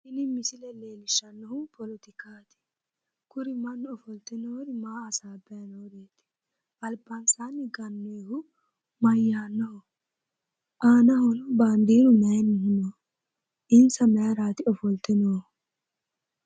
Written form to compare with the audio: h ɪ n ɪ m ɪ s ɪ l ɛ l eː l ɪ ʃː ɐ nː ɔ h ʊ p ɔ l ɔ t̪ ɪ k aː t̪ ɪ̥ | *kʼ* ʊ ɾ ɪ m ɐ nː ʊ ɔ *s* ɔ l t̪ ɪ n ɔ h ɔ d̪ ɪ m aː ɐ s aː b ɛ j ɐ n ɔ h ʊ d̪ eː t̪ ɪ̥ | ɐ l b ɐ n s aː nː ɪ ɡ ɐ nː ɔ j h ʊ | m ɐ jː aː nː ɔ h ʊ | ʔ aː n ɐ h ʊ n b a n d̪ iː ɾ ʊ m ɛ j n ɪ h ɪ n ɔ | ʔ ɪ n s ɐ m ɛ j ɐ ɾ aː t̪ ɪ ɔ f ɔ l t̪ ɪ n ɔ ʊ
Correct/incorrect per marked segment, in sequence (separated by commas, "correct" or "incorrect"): incorrect, incorrect